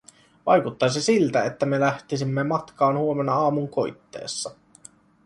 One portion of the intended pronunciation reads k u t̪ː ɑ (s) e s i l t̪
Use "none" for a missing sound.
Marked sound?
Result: s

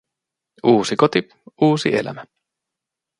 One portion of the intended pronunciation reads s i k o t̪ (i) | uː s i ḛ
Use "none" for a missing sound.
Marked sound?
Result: i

